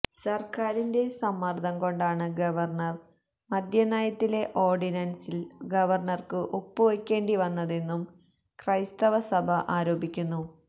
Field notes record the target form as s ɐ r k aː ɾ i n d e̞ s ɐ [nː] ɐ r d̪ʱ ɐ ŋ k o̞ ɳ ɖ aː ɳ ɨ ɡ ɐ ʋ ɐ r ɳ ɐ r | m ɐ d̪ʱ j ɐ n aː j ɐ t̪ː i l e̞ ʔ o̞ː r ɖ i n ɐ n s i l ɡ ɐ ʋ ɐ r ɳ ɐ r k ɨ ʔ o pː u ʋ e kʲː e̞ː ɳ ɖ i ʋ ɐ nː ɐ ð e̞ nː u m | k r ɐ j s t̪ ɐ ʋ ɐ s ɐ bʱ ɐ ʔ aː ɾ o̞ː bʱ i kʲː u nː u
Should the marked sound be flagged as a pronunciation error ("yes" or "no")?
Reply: yes